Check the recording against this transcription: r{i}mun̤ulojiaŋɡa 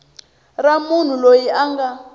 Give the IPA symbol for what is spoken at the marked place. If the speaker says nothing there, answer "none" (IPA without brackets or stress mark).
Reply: a